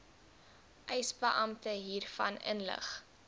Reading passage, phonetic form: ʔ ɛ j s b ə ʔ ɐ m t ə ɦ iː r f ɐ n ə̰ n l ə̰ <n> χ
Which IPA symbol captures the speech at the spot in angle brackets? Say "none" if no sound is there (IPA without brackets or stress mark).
none